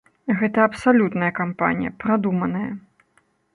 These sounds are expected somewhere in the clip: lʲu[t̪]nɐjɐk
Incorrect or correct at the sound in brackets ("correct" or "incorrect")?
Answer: correct